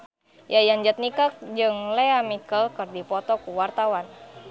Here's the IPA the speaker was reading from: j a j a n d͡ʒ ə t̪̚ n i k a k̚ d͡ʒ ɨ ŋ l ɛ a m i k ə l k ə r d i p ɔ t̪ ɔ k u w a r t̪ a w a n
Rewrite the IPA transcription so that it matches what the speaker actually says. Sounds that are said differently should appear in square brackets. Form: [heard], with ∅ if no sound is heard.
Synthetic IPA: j a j a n d͡ʒ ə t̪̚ n i k a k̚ d͡ʒ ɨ ŋ l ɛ a m i k ə l k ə r d i p ɔ t̪ ɔ k u w a r t̪ a w a n